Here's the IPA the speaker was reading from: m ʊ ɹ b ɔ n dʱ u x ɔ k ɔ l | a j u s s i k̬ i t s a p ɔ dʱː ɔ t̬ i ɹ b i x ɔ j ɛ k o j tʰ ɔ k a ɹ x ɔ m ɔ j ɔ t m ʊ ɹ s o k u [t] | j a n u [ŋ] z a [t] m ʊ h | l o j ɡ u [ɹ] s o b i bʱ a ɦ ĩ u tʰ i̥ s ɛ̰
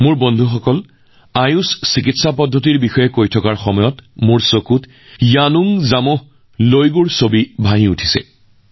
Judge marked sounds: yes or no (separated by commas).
yes, yes, no, yes